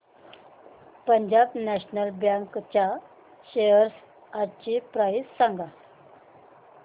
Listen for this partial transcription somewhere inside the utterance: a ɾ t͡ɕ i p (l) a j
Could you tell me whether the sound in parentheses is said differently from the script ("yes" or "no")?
yes